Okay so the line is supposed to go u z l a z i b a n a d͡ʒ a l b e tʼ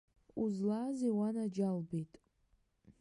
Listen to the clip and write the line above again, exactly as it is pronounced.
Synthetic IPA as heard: u z l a z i w a n a d͡ʒ a l b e tʼ